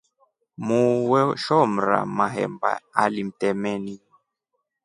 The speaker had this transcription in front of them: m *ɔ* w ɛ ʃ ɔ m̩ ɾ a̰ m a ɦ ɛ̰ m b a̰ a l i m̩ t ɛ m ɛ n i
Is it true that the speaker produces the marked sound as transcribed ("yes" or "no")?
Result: no